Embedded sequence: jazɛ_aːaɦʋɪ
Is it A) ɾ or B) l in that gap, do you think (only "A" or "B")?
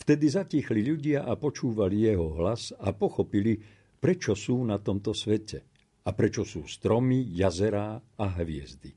A